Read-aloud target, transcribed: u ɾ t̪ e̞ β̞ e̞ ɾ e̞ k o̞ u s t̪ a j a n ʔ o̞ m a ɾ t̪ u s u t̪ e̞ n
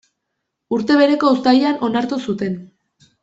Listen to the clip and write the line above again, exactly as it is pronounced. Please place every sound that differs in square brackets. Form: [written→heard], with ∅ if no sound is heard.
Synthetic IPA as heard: u ɾ t̪ e̞ β̞ e̞ ɾ e̞ k o̞ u s t̪ a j a n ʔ o̞ [m→n] a ɾ t̪ u s u t̪ e̞ n